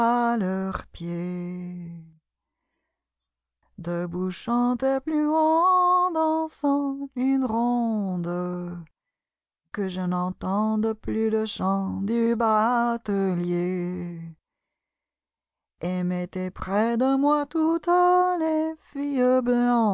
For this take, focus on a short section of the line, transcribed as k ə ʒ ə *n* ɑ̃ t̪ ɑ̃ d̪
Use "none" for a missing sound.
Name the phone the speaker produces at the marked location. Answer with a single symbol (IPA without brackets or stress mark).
n